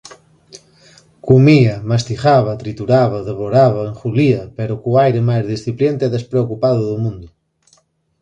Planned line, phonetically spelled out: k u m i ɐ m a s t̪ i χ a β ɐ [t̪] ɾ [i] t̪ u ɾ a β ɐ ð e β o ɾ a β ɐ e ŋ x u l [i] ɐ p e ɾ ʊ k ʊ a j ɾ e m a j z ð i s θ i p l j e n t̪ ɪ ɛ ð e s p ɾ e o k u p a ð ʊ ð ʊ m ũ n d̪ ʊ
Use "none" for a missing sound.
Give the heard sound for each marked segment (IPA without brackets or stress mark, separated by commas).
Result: t̪, i, i